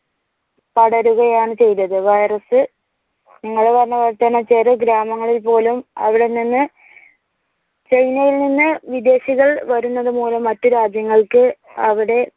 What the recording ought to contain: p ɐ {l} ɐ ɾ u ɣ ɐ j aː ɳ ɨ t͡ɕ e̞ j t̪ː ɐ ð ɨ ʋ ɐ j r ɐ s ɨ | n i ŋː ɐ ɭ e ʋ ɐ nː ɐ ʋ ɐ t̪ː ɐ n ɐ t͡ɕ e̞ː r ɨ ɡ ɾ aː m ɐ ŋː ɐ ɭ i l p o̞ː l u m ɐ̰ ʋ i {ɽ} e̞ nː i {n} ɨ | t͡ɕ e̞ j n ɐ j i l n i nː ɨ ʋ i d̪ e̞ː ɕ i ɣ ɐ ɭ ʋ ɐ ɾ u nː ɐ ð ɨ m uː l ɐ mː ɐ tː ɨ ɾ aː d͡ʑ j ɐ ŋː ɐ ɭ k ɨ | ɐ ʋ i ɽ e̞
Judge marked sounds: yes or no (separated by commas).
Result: no, yes, no